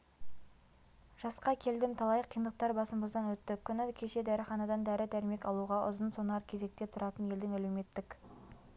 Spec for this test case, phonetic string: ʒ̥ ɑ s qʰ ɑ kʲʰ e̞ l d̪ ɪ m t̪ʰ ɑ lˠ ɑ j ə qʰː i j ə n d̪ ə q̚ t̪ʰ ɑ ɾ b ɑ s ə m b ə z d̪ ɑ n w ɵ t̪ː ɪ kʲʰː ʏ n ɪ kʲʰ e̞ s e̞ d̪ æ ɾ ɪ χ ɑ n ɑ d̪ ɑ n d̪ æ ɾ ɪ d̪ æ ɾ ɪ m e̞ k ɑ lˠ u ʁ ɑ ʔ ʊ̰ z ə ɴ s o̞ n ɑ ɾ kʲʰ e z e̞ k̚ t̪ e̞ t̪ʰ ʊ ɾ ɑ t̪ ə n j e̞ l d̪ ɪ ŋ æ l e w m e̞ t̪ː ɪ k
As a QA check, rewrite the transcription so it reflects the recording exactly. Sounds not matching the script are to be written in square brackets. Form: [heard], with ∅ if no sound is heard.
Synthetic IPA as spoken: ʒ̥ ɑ s [q] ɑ kʲʰ e̞ l d̪ ɪ m t̪ʰ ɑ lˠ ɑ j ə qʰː i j ə n d̪ ə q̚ [t̪] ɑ ɾ b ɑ s ə m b ə z d̪ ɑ n w ɵ t̪ː ɪ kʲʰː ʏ n ɪ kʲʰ e̞ [ʃ] e̞ d̪ æ ɾ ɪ χ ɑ n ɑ d̪ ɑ n d̪ æ ɾ ɪ d̪ æ ɾ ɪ m e̞ k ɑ lˠ u ʁ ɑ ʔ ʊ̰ z ə [n] s o̞ n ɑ ɾ kʲʰ e z e̞ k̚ t̪ e̞ t̪ʰ ʊ ɾ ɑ t̪ ə n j e̞ l d̪ ɪ ŋ æ l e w m e̞ t̪ː ɪ k

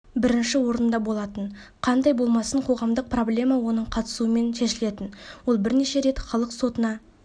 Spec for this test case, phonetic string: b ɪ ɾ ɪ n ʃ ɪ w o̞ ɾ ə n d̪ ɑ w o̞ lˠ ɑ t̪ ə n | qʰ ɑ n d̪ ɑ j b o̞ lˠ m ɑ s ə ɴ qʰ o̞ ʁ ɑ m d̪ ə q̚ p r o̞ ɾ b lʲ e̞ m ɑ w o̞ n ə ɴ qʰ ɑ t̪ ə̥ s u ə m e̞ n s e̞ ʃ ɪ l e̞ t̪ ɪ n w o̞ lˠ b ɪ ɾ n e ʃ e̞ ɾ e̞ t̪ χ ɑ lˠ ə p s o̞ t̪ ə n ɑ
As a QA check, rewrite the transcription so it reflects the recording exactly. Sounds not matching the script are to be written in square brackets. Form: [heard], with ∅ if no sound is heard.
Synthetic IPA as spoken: b ɪ ɾ ɪ n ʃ ɪ w o̞ ɾ ə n d̪ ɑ [b] o̞ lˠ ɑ t̪ ə n | qʰ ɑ n d̪ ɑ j b o̞ lˠ m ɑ s ə ɴ qʰ o̞ ʁ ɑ m d̪ ə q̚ p r o̞ [∅] b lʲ e̞ m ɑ w o̞ n ə ɴ qʰ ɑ t̪ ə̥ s u ə m e̞ n [ʃ] e̞ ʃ ɪ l e̞ t̪ ɪ n w o̞ lˠ b ɪ ɾ n e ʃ e̞ ɾ e̞ t̪ χ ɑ lˠ ə [q] s o̞ t̪ ə n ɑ

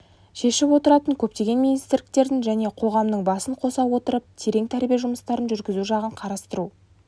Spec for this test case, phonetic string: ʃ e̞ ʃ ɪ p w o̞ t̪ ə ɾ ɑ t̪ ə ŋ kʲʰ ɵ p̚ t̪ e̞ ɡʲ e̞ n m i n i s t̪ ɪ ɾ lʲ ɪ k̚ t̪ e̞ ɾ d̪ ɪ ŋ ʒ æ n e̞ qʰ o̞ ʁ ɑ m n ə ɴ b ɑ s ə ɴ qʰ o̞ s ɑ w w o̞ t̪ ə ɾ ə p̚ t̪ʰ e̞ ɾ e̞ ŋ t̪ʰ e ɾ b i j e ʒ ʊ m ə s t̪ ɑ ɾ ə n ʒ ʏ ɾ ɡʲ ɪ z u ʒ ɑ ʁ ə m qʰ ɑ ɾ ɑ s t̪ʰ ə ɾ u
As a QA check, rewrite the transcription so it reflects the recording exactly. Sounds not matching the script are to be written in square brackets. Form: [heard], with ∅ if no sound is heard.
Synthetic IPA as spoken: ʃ e̞ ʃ ɪ p w o̞ t̪ ə ɾ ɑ t̪ ə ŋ kʲʰ ɵ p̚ t̪ e̞ ɡʲ e̞ n m i n i s t̪ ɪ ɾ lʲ ɪ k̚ t̪ e̞ ɾ d̪ ɪ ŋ ʒ æ n e̞ qʰ o̞ ʁ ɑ m n ə ɴ b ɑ s ə ɴ qʰ o̞ s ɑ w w o̞ t̪ ə ɾ ə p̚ t̪ʰ e̞ ɾ e̞ ŋ t̪ʰ [æ] ɾ b i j e ʒ ʊ m ə s t̪ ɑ ɾ ə n ʒ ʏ ɾ ɡʲ ɪ z u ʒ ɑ ʁ ə [ɴ] qʰ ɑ ɾ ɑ s [t̪] ə ɾ u

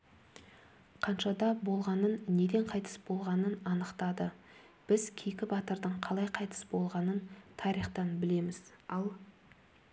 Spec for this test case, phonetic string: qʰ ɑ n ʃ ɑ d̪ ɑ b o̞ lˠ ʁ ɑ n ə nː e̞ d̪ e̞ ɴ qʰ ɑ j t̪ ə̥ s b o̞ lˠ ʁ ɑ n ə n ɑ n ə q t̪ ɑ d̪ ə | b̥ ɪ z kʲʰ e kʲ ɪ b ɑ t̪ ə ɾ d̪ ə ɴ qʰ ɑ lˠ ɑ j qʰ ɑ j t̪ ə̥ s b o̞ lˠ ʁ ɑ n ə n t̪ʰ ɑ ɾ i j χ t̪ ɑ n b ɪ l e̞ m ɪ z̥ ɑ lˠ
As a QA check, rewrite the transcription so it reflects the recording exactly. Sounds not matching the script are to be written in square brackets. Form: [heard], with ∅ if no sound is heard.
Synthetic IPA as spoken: qʰ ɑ n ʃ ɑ d̪ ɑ b o̞ lˠ ʁ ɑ n ə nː e̞ d̪ e̞ ɴ qʰ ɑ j t̪ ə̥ s b o̞ lˠ ʁ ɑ n ə n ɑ n ə q t̪ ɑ d̪ ə | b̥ ɪ z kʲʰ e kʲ ɪ b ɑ t̪ ə ɾ d̪ ə ɴ qʰ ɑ lˠ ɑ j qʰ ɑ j t̪ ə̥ s b o̞ lˠ ʁ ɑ n ə n t̪ʰ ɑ ɾ i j χ t̪ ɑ n b ɪ l e̞ m ɪ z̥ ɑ lˠ

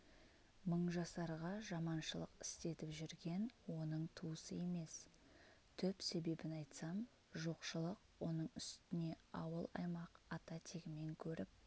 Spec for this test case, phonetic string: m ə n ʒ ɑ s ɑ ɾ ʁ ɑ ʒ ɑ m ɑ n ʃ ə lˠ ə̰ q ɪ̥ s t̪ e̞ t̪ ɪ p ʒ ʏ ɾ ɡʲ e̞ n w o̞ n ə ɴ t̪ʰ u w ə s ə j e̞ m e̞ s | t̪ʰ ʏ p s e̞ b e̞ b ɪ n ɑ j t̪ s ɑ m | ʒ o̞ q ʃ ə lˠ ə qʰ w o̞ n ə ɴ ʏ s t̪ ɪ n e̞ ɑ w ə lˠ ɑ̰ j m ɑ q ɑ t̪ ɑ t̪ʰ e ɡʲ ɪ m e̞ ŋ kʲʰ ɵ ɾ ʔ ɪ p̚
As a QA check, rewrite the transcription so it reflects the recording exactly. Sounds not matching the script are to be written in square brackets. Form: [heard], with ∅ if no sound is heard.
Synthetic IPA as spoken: m ə [ɴ] ʒ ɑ s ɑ ɾ ʁ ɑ ʒ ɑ m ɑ n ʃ ə lˠ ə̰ q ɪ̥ s t̪ e̞ t̪ ɪ p ʒ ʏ ɾ ɡʲ e̞ n w o̞ n ə ɴ t̪ʰ u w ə s ə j e̞ m e̞ s | t̪ʰ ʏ p s e̞ b e̞ b ɪ n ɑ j t̪ s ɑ m | ʒ o̞ q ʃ ə lˠ ə [q] w o̞ n ə ɴ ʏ s t̪ ɪ n e̞ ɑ w ə lˠ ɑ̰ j m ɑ q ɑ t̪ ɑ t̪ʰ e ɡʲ ɪ m e̞ ŋ kʲʰ ɵ ɾ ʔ ɪ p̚

